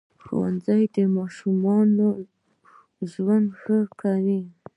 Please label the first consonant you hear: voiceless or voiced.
voiceless